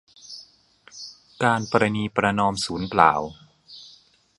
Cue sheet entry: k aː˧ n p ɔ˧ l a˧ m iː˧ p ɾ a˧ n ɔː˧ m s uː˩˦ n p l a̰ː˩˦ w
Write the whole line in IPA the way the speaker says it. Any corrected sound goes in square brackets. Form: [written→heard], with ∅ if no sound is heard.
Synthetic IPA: k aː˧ n p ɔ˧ [l→ɾ] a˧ [m→n] iː˧ p ɾ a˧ n ɔː˧ m s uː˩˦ n p l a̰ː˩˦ w